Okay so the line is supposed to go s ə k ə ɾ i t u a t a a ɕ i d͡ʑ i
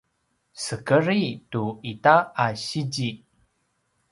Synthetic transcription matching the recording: s ə k ə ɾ i t u i t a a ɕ i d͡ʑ i